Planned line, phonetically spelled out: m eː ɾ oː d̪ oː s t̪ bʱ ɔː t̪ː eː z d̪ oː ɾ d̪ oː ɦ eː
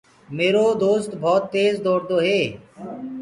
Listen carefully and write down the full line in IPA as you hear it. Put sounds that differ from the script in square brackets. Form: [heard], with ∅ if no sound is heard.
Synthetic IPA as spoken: m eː ɾ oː d̪ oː s t̪ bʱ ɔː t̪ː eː z d̪ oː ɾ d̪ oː ɦ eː

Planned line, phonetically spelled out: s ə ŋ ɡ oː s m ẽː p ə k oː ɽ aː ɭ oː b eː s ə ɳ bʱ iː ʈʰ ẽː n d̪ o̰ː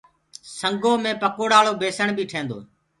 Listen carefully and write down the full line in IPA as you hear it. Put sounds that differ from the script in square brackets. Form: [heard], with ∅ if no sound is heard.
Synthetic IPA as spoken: s ə ŋ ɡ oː [∅] m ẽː p ə k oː ɽ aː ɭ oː b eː s ə ɳ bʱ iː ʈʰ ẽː n d̪ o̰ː

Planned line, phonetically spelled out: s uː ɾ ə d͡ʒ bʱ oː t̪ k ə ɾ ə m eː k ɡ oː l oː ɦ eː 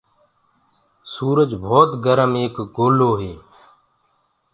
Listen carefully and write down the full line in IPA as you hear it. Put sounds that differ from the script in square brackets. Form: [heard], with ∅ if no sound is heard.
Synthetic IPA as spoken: s uː ɾ ə d͡ʒ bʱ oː t̪ [ɡ] ə ɾ ə m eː k ɡ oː l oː ɦ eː

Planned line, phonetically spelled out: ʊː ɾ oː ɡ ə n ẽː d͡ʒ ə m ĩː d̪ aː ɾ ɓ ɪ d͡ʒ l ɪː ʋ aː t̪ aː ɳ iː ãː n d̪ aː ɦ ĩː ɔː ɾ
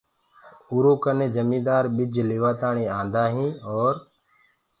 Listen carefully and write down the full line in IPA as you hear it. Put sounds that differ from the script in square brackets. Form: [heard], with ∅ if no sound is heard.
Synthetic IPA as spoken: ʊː ɾ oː [k] ə n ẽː d͡ʒ ə m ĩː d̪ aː ɾ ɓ ɪ d͡ʒ l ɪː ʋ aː t̪ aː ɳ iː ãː n d̪ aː ɦ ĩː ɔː ɾ

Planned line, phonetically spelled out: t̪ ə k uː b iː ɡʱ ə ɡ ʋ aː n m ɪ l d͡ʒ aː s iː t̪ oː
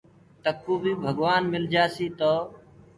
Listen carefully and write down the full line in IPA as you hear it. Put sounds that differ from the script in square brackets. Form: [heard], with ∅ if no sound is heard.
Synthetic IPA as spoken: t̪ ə k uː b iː [bʱ] ə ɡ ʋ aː n m ɪ l d͡ʒ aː s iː t̪ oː

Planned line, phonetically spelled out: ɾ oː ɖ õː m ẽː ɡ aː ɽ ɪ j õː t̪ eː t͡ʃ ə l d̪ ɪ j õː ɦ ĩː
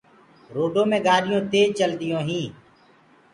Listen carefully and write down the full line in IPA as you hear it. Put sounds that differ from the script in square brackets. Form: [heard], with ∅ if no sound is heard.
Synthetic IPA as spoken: ɾ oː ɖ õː m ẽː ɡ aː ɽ ɪ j õː t̪ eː t͡ʃ ə l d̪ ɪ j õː ɦ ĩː

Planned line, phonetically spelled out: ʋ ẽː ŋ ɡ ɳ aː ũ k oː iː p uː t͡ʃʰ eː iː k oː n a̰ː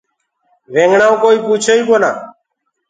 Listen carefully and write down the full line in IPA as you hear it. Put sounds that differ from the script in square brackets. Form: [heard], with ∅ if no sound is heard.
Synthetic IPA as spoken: ʋ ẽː ŋ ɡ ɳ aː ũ k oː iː p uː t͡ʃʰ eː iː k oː n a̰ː

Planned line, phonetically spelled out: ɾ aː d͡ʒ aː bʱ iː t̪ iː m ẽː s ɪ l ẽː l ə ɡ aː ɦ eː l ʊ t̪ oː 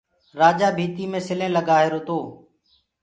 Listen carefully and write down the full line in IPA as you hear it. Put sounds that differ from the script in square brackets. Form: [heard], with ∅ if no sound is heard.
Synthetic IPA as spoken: ɾ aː d͡ʒ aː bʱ iː t̪ iː m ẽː s ɪ l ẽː l ə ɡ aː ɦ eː [ɾ] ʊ t̪ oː

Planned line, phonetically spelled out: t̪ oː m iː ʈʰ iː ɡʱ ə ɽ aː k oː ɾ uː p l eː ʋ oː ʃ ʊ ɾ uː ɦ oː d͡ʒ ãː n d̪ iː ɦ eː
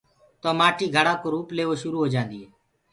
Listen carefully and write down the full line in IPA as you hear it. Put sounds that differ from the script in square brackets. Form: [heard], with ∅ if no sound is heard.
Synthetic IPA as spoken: t̪ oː m [aː] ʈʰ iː ɡʱ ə ɽ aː k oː ɾ uː p l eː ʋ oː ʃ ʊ ɾ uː ɦ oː d͡ʒ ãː n d̪ iː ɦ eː

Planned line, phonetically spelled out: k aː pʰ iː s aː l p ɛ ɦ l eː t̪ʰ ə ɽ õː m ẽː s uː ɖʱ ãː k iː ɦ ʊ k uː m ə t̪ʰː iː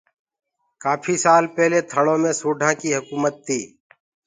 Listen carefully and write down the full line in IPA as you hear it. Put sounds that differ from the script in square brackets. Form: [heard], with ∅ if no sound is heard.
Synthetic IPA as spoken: k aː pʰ iː s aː l p ɛ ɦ l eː t̪ʰ ə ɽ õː m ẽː s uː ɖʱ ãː k iː ɦ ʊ k uː m ə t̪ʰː iː

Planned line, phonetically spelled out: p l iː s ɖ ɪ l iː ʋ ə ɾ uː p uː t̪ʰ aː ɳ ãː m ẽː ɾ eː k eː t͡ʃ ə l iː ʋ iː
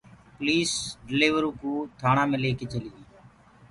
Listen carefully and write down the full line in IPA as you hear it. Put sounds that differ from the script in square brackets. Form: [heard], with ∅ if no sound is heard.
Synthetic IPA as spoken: p l iː s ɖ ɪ l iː ʋ ə ɾ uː [k] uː t̪ʰ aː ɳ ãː m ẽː [l] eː k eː t͡ʃ ə l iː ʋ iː

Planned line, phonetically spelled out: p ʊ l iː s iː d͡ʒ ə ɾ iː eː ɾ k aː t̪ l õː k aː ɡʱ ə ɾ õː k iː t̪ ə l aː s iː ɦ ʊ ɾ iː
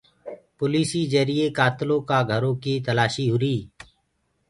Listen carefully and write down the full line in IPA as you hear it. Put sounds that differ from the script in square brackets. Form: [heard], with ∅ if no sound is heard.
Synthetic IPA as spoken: p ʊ l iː s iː d͡ʒ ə ɾ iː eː [∅] k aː t̪ l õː k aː ɡʱ ə ɾ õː k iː t̪ ə l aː [ʃ] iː ɦ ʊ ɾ iː

